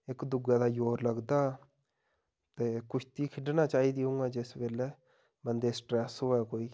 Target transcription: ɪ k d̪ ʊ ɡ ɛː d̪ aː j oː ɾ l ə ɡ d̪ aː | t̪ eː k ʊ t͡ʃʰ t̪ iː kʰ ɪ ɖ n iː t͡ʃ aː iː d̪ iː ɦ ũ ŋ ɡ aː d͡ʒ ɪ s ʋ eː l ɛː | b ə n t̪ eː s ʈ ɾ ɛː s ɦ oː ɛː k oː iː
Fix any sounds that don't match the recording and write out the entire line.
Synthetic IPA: ɪ k d̪ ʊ ɡ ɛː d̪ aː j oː ɾ l ə ɡ d̪ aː | t̪ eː k ʊ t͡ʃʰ t̪ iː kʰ ɪ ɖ n aː t͡ʃ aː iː d̪ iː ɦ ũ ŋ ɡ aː d͡ʒ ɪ s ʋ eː l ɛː | b ə n d̪ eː s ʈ ɾ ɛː s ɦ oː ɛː k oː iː